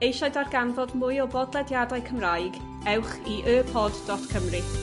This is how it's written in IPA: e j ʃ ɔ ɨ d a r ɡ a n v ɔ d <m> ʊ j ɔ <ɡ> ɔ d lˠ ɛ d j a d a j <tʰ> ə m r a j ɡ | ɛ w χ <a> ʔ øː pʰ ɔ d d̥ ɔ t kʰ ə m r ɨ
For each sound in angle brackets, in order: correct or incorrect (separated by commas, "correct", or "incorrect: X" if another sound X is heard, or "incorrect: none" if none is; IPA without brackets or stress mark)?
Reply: correct, incorrect: b, incorrect: kʰ, incorrect: i